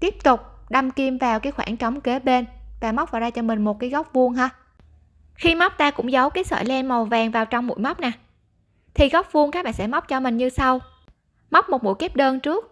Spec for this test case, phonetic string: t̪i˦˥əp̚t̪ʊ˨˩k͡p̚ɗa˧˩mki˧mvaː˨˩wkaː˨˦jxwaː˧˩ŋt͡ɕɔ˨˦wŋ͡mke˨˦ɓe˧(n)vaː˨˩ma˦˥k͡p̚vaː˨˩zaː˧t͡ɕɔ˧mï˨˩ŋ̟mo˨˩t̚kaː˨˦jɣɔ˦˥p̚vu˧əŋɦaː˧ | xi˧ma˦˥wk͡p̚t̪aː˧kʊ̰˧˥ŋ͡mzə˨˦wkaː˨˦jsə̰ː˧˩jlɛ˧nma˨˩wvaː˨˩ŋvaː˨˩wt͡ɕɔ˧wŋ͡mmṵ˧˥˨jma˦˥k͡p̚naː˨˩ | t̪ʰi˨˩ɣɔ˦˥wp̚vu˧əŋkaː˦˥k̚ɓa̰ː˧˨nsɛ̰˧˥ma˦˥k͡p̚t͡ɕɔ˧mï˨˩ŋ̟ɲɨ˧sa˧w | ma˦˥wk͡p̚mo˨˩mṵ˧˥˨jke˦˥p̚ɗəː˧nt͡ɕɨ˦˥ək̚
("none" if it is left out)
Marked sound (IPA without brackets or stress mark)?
n